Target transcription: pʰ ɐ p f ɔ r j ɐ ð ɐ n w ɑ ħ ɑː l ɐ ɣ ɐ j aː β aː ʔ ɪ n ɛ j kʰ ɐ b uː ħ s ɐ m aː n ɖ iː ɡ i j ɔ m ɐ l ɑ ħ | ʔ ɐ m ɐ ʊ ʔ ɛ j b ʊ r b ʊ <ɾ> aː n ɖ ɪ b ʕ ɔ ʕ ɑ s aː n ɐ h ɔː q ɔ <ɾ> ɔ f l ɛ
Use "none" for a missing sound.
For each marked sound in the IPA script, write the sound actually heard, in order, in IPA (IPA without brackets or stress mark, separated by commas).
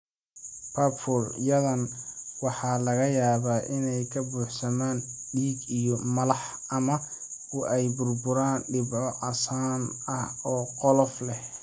ɾ, l